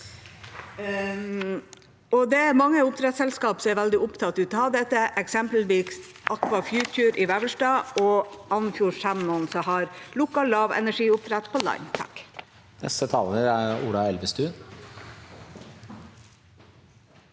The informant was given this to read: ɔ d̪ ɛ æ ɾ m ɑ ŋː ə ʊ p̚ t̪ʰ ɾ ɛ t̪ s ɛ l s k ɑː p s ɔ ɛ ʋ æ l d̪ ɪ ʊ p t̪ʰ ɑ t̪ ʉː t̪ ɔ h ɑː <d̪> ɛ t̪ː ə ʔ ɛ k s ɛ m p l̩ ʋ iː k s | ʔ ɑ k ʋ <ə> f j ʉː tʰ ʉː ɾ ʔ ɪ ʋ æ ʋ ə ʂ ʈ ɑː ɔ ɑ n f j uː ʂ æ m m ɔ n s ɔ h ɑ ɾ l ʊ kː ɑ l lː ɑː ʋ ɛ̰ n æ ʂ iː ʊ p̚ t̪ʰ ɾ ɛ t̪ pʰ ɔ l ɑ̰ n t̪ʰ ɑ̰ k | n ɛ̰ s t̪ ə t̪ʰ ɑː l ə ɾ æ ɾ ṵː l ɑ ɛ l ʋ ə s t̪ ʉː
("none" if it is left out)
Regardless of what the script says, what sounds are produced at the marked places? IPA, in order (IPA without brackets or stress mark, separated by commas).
d̪, ɑ